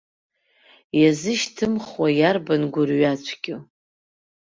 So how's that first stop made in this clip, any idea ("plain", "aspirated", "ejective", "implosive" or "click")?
aspirated